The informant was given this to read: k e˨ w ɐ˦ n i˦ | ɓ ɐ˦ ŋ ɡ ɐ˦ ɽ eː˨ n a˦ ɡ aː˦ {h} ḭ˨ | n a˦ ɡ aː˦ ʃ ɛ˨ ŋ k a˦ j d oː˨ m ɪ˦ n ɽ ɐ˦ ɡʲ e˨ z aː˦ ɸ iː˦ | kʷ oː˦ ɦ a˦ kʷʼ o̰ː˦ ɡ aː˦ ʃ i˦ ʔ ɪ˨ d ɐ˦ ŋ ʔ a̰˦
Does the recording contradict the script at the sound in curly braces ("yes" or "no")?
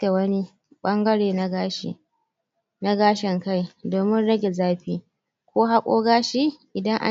yes